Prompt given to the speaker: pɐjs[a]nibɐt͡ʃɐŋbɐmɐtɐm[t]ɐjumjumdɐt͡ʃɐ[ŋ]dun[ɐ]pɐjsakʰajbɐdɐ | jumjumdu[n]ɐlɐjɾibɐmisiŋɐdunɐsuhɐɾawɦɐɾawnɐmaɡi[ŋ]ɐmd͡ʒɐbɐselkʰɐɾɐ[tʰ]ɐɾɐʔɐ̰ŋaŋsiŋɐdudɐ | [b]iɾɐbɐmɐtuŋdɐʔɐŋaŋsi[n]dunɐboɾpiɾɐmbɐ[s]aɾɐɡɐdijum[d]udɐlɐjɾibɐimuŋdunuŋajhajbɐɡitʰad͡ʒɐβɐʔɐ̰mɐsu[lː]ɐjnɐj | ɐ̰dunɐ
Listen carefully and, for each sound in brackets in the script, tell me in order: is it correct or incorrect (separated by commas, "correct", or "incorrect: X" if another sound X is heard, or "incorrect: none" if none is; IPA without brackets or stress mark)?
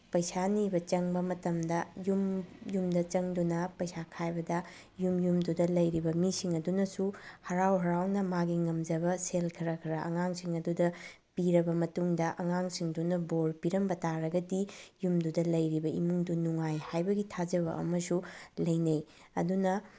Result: correct, incorrect: d, correct, correct, incorrect: d, correct, incorrect: kʰ, incorrect: p, incorrect: ŋ, incorrect: t, correct, incorrect: l